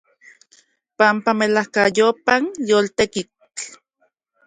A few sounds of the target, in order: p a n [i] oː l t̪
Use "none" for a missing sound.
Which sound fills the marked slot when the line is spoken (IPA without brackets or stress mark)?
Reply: j